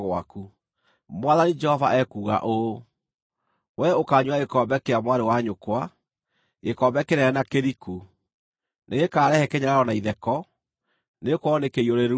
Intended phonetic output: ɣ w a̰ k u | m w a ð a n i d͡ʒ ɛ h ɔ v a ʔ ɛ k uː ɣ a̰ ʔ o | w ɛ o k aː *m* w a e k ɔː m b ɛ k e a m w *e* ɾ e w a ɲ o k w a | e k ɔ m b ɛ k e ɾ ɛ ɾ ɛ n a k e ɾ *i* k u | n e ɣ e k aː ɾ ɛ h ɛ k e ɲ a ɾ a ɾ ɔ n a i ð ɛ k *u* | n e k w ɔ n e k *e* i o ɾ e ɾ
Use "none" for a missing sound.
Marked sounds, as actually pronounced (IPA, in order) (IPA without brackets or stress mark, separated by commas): ɲ, a, i, ɔ, e